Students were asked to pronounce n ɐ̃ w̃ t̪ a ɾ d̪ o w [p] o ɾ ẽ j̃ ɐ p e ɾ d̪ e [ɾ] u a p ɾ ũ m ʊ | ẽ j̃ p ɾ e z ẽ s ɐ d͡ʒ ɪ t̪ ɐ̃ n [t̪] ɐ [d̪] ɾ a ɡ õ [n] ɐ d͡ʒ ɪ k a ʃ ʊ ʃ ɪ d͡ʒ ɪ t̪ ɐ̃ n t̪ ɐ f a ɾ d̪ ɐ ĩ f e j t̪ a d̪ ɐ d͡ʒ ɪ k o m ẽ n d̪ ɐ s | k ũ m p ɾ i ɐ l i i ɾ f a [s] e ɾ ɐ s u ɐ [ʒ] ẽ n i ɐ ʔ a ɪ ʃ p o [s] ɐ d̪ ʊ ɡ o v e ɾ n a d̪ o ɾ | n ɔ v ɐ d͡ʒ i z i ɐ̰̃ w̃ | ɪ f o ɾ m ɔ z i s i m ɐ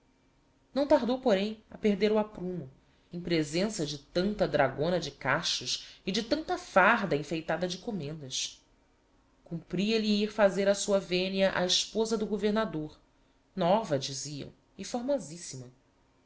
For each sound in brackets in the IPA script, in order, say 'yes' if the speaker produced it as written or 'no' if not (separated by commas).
yes, yes, yes, yes, yes, no, no, no